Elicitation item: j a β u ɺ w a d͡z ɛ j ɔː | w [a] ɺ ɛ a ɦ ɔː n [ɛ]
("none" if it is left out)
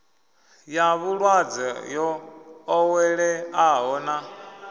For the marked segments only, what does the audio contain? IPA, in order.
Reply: ɛ, a

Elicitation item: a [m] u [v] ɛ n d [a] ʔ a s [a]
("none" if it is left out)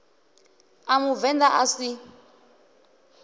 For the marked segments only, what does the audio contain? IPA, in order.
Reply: m, v, a, i

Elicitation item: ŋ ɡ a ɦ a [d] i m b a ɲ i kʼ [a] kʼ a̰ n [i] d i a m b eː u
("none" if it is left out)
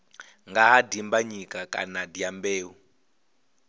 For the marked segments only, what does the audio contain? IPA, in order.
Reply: d, a, a

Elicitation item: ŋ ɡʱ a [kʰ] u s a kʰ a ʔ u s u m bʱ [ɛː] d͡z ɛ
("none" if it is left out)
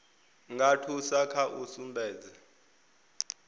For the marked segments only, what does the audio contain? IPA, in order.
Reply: tʰ, ɛː

